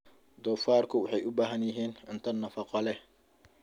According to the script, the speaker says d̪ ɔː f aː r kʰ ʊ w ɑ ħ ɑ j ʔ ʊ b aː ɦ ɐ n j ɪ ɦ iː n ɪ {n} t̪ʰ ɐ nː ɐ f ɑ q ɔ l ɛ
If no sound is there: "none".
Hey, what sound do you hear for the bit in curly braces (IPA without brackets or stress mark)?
n